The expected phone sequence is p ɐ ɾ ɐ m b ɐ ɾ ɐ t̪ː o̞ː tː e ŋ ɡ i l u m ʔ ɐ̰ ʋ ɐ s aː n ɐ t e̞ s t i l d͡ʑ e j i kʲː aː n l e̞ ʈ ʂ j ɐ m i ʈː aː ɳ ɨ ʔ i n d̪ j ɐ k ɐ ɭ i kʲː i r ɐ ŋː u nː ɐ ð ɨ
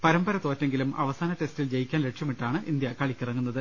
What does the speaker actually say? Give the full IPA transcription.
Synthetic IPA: p ɐ ɾ ɐ m b ɐ ɾ ɐ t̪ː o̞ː tː e ŋ ɡ i l u m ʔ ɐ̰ ʋ ɐ s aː n ɐ t e̞ s t i l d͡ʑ e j i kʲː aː n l e̞ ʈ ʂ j ɐ m i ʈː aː ɳ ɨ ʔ i n d̪ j ɐ k ɐ ɭ i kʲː i r ɐ ŋː u nː ɐ ð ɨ